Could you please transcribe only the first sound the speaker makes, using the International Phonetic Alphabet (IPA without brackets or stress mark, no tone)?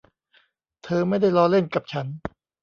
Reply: t̪ʰ